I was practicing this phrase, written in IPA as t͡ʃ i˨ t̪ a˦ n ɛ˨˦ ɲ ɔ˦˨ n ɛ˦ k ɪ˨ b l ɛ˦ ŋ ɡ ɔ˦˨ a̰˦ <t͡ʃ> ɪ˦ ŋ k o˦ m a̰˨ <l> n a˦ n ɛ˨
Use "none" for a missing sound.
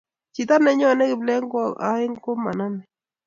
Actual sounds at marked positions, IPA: none, none

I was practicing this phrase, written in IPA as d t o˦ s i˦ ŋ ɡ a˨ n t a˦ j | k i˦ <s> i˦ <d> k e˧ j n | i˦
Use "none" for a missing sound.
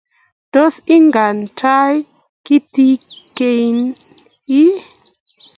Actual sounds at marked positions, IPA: t, none

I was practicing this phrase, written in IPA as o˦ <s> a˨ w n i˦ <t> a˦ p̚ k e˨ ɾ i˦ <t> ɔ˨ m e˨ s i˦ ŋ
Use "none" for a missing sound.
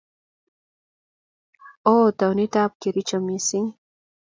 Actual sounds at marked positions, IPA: t, t, t͡ʃ

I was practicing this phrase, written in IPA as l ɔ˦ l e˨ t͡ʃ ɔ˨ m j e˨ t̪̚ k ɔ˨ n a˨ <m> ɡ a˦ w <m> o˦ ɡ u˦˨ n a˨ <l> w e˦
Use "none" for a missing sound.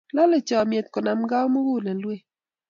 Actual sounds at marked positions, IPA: m, m, l

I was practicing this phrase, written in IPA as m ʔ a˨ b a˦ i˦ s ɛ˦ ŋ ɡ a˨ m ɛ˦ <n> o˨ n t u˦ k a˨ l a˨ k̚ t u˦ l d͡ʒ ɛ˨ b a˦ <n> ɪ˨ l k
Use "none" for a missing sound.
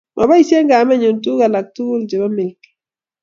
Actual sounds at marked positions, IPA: ɲ, m

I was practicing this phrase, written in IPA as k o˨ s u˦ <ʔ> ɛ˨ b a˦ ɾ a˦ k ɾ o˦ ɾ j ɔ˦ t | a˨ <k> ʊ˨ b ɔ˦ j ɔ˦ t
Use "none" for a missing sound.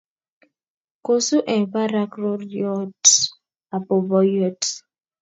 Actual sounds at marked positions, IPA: ʔ, p

